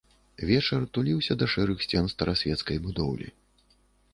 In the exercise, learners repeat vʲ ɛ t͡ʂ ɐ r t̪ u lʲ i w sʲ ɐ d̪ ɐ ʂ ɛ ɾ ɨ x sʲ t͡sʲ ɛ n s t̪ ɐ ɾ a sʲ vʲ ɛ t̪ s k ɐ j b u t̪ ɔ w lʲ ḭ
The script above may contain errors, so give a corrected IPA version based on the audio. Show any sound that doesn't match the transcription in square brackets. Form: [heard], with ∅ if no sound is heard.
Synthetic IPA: vʲ ɛ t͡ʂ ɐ r t̪ u lʲ i w sʲ ɐ d̪ ɐ ʂ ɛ ɾ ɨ x sʲ t͡sʲ ɛ n s t̪ ɐ ɾ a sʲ vʲ ɛ t̪ s k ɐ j b u [d̪] ɔ w lʲ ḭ